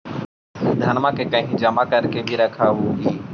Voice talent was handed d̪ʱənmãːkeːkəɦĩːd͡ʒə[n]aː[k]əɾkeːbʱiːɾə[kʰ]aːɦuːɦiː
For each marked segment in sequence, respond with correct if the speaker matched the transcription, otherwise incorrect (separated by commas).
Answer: incorrect, correct, correct